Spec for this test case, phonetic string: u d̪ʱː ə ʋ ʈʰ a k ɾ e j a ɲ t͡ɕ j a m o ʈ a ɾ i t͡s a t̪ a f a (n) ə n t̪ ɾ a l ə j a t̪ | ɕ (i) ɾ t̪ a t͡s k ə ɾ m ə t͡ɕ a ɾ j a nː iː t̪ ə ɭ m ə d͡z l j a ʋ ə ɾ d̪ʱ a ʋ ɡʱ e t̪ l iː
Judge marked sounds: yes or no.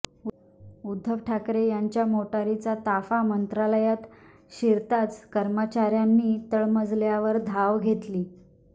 no, yes

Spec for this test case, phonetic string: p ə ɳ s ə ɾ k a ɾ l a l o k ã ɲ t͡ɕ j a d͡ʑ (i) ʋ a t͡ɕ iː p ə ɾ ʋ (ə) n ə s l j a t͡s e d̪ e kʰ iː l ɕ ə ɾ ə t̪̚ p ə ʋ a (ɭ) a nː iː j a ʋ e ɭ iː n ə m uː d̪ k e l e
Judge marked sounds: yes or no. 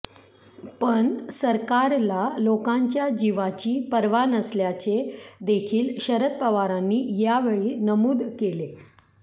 yes, no, no

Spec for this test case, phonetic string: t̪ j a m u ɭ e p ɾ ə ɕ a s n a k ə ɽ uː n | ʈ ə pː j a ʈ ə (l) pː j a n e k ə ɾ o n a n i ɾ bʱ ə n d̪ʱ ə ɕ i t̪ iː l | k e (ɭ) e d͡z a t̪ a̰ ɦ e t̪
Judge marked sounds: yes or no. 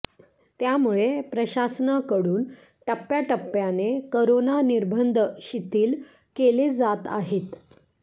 no, no

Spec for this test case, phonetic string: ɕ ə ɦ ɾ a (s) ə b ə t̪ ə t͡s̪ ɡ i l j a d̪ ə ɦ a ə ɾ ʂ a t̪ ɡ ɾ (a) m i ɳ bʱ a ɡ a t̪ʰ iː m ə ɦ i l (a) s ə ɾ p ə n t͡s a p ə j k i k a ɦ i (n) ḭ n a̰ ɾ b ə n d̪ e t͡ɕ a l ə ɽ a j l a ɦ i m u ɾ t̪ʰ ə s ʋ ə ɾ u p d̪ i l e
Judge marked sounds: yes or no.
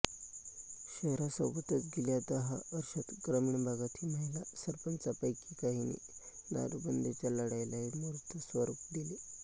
yes, no, yes, yes

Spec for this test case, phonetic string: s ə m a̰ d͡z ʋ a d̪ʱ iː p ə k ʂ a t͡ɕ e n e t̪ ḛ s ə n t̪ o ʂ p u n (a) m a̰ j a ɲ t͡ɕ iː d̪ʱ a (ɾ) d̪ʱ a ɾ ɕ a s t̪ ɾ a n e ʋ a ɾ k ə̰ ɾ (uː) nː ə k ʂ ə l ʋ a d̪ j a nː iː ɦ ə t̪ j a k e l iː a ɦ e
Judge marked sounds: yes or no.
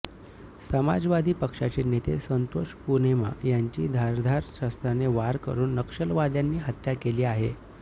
no, yes, yes

